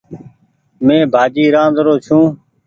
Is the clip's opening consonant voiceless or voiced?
voiced